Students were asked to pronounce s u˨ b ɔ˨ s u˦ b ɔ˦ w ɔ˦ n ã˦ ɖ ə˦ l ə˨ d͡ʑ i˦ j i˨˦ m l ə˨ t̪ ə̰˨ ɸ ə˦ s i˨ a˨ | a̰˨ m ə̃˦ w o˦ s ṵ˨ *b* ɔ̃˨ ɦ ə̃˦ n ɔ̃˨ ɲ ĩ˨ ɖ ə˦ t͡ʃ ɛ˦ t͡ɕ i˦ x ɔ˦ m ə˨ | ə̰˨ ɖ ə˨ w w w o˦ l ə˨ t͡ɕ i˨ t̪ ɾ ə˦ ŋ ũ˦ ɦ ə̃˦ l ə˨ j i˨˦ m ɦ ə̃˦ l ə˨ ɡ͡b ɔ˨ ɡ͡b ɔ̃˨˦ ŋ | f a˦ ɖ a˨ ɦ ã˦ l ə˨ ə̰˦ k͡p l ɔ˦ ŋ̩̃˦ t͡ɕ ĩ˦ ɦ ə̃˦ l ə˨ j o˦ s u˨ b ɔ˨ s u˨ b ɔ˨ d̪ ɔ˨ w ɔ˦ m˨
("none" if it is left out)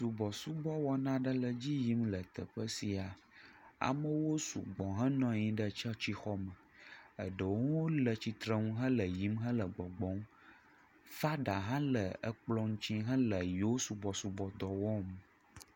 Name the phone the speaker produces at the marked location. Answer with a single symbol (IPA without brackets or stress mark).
ɡ͡b